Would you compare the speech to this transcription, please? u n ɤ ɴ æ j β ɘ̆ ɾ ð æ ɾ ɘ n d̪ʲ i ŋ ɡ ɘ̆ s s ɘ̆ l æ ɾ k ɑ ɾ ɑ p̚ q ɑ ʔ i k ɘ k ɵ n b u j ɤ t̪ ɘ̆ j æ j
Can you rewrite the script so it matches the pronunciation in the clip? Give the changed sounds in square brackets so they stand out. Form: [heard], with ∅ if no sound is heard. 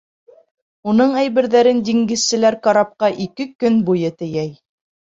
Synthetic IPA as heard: u n ɤ ɴ æ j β ɘ̆ ɾ ð æ ɾ ɘ n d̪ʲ i ŋ ɡ ɘ̆ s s ɘ̆ l æ ɾ k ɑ ɾ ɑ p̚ q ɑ ʔ i k ɘ k ɵ n b u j ɤ t̪ ɘ̆ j æ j